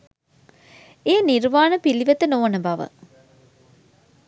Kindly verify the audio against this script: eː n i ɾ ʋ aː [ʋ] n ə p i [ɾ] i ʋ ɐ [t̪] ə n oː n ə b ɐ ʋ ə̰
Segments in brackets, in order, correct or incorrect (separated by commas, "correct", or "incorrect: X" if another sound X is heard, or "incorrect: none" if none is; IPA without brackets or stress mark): incorrect: none, incorrect: l, correct